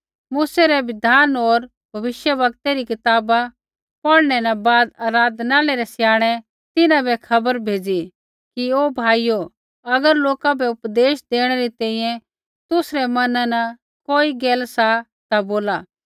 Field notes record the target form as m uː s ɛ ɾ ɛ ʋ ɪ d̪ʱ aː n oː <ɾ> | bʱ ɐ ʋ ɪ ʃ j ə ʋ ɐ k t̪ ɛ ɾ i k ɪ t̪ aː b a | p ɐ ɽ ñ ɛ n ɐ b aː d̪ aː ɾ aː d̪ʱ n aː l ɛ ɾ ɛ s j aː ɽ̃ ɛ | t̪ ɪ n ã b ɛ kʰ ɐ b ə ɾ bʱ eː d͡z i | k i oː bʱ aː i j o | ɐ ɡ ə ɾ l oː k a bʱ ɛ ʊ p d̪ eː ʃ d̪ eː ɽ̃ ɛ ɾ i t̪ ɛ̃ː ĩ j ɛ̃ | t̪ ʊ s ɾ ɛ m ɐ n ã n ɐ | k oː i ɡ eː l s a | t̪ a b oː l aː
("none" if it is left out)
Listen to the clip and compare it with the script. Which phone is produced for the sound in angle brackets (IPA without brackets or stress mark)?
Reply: ɾ